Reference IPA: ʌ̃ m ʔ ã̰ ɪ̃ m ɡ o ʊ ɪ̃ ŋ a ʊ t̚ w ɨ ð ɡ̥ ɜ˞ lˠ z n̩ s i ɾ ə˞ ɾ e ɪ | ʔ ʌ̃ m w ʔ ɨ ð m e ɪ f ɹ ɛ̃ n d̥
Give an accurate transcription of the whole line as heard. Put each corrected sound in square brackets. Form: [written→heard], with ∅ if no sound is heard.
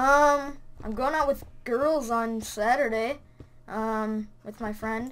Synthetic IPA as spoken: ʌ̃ m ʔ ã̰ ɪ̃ m ɡ o ʊ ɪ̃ ŋ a ʊ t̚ w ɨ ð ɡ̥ ɜ˞ lˠ z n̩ s [i→æ] ɾ ə˞ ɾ e ɪ | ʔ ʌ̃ m w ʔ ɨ ð m [e→a] ɪ f ɹ ɛ̃ n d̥

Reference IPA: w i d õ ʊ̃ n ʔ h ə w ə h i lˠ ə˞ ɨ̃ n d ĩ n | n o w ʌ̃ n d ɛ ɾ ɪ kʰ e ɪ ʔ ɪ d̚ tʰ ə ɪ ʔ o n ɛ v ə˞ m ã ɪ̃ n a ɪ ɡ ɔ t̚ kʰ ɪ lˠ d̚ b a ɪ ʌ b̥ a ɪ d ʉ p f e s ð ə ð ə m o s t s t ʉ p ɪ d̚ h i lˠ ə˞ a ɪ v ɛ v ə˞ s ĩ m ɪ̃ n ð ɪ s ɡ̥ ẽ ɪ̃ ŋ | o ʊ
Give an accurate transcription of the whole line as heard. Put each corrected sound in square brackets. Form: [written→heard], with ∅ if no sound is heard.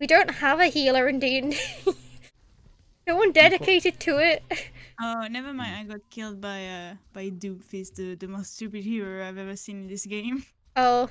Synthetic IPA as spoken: w i d õ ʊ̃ n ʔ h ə [w→v] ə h i lˠ ə˞ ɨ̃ n d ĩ n | n o w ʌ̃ n d ɛ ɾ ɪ kʰ e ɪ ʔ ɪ d̚ tʰ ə ɪ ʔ o n ɛ v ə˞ m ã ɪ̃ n a ɪ ɡ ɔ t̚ kʰ ɪ lˠ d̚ b a ɪ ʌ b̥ a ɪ d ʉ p f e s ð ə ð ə m o s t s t ʉ p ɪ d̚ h i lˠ ə˞ a ɪ v ɛ v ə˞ s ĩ [m→n] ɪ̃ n ð ɪ s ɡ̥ ẽ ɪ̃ [ŋ→m] | o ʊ

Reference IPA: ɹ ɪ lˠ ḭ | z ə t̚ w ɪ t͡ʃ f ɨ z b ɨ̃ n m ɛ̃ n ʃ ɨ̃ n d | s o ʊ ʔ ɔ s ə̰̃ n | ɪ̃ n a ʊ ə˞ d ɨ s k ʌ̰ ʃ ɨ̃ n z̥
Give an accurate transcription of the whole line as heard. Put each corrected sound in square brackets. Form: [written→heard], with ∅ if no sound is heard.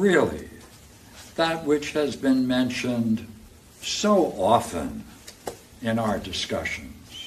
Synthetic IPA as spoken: ɹ ɪ lˠ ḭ | [z→ð] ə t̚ w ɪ t͡ʃ [f→h] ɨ z b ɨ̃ n m ɛ̃ n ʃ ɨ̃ n d | s o ʊ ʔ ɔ [s→f] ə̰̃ n | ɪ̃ n a ʊ ə˞ d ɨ s k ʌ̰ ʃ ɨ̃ n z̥

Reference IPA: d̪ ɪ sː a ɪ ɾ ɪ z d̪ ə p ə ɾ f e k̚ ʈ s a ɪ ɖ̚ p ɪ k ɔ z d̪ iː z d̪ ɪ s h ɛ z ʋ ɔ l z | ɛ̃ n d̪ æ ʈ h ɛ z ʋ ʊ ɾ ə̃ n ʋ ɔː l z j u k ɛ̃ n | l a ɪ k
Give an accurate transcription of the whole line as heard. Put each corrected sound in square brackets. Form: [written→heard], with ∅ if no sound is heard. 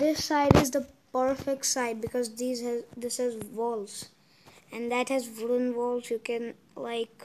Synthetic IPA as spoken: d̪ ɪ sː a ɪ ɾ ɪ z d̪ ə p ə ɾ f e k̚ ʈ s a ɪ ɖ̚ [p→b] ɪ k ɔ z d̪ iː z d̪ ɪ s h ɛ z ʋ ɔ l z | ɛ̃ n d̪ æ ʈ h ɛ z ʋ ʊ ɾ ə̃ n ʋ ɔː l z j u k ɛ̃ n | l a ɪ k

